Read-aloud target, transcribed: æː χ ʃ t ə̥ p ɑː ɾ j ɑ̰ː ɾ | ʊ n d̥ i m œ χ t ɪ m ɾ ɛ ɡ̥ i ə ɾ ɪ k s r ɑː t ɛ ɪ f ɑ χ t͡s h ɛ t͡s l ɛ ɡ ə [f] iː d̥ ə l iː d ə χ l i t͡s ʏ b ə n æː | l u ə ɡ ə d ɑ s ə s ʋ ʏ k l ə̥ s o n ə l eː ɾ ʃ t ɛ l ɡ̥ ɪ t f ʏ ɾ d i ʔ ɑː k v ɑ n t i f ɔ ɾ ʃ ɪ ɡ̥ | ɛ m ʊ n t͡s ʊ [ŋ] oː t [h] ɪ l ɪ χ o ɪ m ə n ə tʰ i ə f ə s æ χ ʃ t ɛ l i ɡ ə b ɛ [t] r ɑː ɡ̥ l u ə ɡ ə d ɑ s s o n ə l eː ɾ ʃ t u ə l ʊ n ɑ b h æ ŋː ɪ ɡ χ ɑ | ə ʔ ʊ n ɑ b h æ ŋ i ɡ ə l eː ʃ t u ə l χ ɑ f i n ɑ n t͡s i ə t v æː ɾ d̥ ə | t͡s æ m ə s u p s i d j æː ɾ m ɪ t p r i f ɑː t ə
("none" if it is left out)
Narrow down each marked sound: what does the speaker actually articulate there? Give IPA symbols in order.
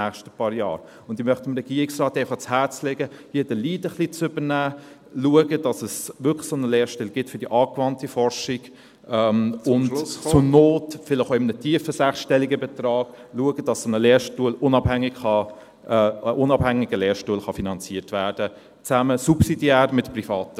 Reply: h, n, f, t

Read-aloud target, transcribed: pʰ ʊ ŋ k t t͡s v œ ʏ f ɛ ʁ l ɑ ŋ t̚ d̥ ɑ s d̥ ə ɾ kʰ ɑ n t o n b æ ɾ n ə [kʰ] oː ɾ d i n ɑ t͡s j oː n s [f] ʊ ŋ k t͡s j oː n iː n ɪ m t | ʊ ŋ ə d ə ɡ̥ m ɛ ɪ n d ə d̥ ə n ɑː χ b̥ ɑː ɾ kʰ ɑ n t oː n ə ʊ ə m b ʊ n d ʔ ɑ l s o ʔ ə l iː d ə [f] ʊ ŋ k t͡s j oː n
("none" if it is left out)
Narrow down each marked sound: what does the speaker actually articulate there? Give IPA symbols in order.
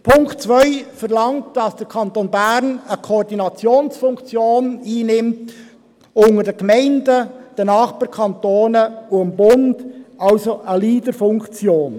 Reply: kʰ, f, f

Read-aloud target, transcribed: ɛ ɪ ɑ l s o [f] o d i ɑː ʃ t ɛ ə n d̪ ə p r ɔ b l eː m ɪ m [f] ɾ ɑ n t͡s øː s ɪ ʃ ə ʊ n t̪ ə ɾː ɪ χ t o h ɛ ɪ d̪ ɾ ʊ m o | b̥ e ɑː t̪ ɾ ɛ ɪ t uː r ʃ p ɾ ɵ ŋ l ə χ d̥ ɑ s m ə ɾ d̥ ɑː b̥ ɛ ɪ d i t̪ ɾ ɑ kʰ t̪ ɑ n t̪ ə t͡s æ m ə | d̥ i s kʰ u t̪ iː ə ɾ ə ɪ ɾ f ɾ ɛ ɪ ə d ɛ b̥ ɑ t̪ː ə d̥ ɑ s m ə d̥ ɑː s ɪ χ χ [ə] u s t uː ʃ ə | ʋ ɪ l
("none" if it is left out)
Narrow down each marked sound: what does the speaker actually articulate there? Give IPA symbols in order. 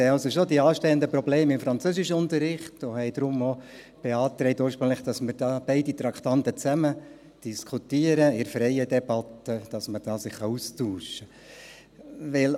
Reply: ʃ, f, ɑ

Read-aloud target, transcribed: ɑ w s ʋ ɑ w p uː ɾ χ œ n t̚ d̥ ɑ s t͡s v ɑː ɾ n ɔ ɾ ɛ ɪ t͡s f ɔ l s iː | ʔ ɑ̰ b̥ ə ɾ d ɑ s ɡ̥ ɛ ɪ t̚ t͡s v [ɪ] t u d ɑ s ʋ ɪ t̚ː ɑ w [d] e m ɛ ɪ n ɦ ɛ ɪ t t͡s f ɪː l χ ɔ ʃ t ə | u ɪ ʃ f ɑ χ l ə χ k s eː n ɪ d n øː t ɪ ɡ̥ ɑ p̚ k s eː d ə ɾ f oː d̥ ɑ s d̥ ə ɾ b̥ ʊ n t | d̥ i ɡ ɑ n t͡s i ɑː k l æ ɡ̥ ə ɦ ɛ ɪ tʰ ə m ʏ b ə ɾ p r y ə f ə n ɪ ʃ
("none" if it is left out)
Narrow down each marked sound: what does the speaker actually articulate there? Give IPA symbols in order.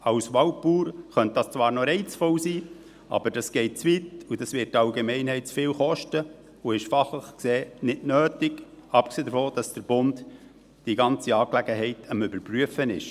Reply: i, ɡ

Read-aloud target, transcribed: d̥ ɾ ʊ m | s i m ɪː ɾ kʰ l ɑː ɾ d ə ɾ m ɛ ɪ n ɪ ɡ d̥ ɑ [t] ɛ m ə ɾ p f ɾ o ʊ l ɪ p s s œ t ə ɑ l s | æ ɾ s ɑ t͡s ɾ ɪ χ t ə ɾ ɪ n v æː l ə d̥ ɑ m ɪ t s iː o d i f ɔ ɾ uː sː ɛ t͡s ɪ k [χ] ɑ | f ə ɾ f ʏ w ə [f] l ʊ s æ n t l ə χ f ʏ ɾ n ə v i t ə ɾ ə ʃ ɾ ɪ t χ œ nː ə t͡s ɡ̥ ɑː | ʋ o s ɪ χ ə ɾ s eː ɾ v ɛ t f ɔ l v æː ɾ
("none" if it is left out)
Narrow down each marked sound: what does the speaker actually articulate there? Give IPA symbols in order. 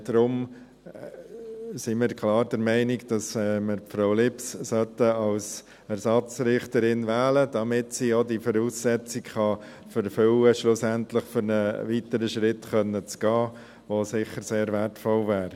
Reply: s, χ, ʃ

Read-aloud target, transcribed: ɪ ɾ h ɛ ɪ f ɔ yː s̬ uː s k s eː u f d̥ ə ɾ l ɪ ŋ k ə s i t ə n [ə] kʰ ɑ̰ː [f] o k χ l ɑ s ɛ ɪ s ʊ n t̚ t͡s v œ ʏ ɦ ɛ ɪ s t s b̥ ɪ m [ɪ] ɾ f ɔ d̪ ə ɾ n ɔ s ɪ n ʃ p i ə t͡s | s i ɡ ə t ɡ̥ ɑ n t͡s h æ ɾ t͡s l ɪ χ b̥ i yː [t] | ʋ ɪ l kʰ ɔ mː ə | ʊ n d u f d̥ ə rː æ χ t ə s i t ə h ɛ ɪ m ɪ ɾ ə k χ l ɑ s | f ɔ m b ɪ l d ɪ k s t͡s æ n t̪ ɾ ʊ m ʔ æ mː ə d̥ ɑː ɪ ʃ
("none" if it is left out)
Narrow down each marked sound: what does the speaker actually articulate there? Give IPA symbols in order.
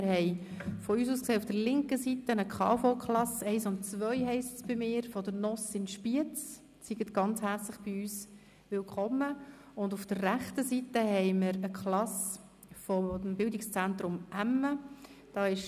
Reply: ə, f, ɪː, s

